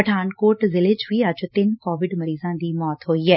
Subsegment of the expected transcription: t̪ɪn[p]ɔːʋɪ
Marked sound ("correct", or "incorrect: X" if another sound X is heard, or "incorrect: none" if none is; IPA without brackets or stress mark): incorrect: k